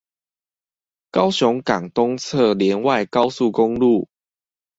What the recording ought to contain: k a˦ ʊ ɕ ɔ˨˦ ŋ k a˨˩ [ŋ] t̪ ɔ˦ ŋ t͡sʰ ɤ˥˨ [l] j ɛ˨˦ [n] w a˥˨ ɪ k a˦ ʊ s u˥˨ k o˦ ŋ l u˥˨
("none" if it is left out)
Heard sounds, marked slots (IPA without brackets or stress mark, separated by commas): ŋ, l, n